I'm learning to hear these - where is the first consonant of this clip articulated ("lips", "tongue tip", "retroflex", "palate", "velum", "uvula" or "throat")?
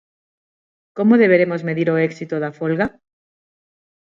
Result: velum